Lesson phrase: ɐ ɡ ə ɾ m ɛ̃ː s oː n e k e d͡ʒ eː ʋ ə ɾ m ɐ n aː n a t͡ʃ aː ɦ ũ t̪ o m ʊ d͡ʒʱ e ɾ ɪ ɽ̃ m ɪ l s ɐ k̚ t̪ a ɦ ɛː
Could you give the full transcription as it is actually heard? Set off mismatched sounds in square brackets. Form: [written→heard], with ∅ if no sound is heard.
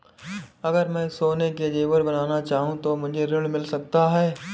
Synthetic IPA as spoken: ɐ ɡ ə ɾ m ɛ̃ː s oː n e k e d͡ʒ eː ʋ ə ɾ [m→b] ɐ n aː n a t͡ʃ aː ɦ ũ t̪ o m ʊ d͡ʒʱ e ɾ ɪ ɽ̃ m ɪ l s ɐ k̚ t̪ a ɦ ɛː